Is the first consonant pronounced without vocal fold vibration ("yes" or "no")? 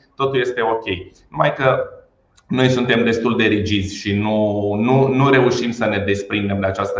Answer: yes